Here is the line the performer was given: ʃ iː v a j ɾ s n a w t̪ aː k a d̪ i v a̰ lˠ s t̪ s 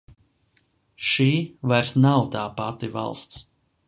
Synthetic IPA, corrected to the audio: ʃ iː v a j ɾ s n a w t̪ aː p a t̪ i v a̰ lˠ s t̪ s